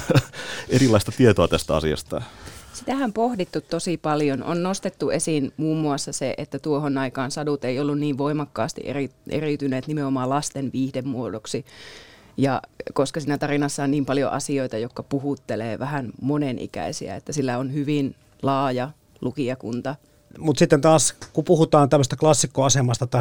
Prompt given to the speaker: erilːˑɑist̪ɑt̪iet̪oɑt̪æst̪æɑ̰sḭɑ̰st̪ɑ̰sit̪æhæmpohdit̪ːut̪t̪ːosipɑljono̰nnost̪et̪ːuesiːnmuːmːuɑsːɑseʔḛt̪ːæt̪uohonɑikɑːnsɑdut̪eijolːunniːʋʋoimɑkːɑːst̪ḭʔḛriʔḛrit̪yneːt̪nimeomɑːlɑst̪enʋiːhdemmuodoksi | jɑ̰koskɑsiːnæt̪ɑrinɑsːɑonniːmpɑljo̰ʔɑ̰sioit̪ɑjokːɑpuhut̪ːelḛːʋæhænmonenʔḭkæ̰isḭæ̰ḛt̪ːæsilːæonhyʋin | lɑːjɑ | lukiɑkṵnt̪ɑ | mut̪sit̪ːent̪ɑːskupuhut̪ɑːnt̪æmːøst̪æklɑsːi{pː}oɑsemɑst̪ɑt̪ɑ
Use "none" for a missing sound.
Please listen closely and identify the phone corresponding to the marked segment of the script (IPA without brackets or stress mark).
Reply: kː